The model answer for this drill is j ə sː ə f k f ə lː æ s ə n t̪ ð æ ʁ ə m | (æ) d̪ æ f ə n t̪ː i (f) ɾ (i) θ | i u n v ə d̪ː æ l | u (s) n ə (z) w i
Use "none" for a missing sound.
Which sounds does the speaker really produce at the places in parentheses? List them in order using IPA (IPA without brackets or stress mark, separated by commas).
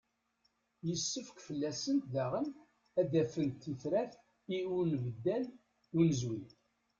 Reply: æ, θ, æ, none, z